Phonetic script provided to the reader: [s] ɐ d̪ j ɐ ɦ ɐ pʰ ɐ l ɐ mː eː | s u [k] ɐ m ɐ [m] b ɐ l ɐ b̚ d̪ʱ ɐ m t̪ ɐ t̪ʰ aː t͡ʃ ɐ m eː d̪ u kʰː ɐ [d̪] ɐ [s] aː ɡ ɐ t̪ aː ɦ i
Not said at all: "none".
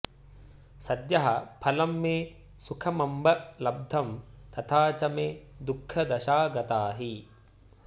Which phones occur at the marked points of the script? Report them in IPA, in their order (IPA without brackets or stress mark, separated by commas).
s, kʰ, m, d̪, ʃ